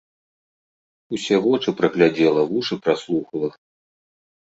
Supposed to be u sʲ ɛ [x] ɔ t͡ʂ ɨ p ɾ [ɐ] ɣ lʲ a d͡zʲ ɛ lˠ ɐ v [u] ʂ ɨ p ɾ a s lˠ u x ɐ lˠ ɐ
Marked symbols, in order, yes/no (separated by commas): no, yes, yes